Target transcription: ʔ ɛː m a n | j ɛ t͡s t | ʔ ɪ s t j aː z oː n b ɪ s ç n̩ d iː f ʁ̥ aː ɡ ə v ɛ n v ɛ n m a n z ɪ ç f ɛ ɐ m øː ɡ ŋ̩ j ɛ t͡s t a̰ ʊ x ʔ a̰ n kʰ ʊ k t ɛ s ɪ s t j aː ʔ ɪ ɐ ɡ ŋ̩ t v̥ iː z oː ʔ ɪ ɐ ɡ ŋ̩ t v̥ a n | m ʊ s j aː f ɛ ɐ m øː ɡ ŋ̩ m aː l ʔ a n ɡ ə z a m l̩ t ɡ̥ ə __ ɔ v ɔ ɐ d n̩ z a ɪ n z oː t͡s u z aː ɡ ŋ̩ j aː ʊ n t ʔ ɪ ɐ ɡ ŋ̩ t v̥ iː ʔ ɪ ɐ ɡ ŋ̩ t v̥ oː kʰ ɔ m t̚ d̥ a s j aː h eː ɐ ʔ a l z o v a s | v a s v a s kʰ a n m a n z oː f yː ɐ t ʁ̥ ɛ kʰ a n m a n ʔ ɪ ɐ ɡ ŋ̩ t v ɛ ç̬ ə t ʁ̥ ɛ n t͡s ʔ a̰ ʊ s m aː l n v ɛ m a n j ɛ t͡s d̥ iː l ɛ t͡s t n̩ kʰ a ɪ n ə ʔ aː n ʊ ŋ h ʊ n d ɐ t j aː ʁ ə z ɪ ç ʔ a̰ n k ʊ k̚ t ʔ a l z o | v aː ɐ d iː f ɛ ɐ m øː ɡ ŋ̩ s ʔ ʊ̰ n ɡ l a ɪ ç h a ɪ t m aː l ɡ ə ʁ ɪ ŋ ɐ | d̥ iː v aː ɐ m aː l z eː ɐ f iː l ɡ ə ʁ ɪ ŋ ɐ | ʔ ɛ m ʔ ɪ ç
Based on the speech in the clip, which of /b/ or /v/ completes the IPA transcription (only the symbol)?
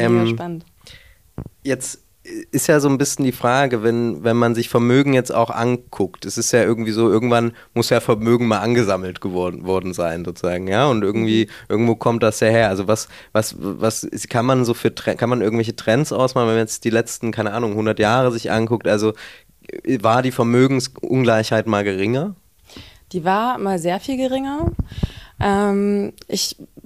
v